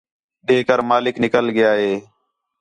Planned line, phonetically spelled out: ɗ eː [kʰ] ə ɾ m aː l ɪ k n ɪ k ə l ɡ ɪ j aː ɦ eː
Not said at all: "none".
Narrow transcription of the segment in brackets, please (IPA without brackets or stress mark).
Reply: k